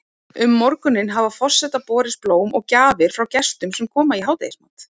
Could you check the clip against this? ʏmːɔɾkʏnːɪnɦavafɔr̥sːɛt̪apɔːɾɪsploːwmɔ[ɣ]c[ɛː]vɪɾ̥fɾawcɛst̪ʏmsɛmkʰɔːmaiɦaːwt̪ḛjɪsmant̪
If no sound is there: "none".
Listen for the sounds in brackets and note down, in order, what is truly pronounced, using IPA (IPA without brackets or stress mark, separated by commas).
ɣ, aː